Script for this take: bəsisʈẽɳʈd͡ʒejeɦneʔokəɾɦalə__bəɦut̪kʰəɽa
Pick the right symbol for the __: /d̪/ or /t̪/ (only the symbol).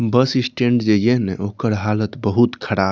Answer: t̪